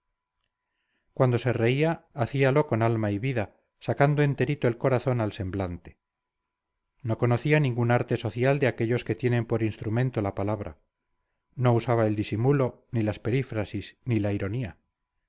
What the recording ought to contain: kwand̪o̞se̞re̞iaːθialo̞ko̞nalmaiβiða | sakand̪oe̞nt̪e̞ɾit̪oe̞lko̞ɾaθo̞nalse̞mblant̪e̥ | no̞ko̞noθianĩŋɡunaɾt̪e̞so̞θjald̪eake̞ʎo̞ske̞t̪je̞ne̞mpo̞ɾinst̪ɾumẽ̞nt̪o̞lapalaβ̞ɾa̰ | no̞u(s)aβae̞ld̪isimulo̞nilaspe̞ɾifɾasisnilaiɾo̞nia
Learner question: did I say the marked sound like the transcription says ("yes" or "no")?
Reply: yes